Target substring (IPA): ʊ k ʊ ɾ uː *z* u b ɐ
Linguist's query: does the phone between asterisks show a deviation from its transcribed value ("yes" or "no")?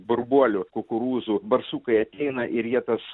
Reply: no